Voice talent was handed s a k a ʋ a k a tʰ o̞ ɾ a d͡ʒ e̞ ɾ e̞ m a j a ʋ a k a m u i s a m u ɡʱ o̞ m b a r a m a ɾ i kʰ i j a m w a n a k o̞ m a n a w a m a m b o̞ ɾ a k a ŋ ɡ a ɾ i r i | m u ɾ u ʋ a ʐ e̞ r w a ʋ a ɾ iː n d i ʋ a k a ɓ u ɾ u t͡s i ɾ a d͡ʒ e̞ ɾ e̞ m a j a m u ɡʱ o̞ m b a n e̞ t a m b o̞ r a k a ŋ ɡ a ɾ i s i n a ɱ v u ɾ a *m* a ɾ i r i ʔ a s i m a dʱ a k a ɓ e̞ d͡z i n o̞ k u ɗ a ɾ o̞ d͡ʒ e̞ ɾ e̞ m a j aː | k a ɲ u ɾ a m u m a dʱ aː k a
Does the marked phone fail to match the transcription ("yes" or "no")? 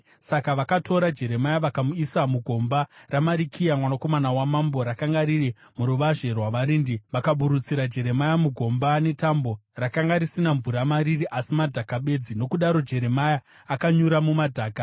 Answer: no